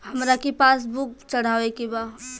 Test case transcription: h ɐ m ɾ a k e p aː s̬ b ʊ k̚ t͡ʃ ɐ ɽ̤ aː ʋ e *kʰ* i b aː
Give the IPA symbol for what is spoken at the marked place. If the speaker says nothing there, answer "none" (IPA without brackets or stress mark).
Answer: k